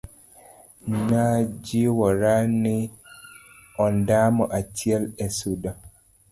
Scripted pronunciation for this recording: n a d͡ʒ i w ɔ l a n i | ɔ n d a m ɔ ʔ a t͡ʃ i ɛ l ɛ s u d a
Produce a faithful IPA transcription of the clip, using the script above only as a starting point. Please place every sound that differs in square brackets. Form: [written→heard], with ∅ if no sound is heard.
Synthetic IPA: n a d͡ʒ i w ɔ [l→ɾ] a n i | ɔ n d a m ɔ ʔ a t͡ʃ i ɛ l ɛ s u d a